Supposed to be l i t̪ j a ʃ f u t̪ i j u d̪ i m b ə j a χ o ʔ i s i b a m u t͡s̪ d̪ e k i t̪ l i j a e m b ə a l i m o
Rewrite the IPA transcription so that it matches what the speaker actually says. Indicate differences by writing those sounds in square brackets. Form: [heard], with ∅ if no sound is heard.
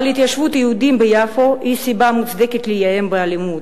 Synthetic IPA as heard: l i t̪ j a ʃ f u t̪ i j u d̪ i m b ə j a [f] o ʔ i s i b a m u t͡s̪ d̪ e k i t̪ l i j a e m b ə a l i m [u]